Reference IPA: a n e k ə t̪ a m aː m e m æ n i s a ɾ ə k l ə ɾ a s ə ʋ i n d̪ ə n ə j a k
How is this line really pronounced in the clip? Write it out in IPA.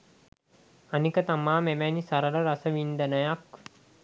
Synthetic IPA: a n i k ə t̪ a m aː m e m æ n i s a ɾ ə l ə ɾ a s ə ʋ i n d̪ ə n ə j a k